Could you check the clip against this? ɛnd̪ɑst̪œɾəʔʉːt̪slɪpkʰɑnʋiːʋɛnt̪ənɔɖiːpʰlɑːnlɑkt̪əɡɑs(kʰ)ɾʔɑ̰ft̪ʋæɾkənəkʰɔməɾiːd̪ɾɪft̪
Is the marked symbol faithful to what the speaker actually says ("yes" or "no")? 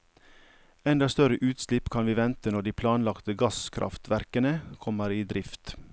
yes